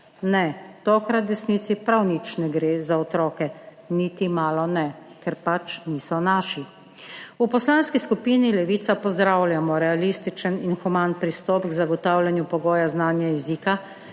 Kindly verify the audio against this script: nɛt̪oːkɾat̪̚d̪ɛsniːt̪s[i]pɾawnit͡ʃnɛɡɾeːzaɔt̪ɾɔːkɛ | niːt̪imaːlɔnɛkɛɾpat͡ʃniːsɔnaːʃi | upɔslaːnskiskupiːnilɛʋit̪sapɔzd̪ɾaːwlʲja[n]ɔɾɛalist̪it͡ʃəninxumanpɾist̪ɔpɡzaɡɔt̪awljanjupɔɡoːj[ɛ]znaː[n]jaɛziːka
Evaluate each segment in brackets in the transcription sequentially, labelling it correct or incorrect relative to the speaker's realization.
correct, incorrect, incorrect, correct

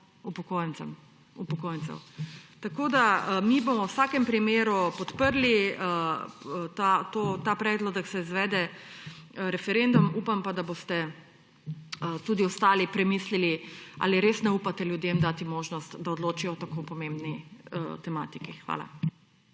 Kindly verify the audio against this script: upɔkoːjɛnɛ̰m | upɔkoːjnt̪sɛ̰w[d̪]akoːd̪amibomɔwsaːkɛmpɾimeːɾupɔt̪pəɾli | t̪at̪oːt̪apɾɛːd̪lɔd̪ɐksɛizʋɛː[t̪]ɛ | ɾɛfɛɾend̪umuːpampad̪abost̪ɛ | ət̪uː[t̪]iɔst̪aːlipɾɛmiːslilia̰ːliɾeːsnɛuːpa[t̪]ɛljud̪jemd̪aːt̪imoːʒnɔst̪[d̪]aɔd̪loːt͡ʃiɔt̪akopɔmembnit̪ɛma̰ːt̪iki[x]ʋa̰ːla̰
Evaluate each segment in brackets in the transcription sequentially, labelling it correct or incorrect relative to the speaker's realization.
incorrect, incorrect, incorrect, correct, correct, correct

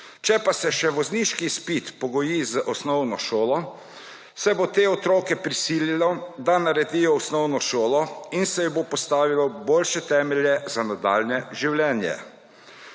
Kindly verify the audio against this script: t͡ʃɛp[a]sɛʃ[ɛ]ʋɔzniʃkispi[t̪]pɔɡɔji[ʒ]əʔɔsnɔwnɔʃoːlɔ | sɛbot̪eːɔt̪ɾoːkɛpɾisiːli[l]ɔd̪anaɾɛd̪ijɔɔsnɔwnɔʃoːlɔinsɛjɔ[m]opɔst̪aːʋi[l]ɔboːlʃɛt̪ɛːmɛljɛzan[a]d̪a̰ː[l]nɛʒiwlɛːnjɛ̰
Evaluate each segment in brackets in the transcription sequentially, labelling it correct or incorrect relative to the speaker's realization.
correct, correct, correct, incorrect, correct, incorrect, correct, correct, correct

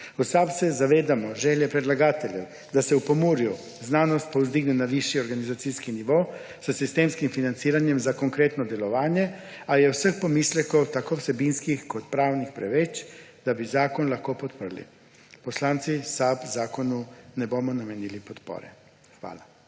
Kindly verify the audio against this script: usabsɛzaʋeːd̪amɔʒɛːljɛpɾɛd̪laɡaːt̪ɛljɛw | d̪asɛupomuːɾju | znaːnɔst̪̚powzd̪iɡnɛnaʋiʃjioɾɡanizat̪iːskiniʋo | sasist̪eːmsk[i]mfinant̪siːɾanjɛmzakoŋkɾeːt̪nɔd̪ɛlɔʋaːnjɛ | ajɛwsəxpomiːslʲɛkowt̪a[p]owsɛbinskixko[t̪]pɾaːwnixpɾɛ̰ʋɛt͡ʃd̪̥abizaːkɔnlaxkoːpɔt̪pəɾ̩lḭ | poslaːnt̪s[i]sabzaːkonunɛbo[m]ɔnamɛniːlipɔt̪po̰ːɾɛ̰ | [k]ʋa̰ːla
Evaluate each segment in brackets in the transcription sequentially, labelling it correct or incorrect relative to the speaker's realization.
correct, incorrect, correct, correct, correct, incorrect

